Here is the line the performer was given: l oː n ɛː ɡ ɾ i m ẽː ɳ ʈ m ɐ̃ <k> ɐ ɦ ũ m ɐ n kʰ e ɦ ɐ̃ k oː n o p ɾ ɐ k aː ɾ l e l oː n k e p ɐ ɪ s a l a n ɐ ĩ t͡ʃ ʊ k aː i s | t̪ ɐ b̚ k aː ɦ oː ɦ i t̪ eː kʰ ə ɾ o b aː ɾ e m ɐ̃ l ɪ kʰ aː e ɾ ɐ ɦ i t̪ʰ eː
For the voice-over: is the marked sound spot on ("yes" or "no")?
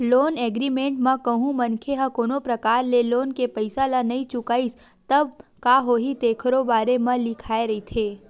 yes